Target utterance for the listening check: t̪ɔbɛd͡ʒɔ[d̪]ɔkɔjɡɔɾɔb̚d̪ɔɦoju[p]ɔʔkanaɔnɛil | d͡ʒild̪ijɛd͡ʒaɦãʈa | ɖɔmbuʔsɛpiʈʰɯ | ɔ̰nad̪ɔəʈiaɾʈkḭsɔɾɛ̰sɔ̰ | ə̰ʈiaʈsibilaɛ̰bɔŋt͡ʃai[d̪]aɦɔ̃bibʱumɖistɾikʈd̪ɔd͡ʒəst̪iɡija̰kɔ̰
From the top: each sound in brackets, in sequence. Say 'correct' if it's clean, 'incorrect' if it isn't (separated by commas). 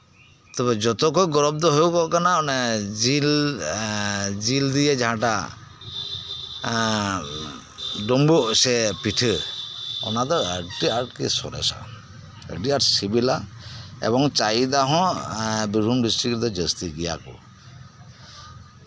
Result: incorrect, incorrect, correct